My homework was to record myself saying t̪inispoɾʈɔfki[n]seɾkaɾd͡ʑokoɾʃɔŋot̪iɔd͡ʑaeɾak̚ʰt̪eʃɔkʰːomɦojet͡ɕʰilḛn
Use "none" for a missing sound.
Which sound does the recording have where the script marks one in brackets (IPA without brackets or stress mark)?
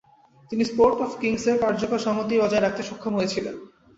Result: ŋ